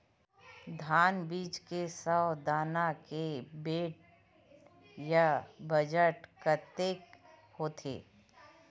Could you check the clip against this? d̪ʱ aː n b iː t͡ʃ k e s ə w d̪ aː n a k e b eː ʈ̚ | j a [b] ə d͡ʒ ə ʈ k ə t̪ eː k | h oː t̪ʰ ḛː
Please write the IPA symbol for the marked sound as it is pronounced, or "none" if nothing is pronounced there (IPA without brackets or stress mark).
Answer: b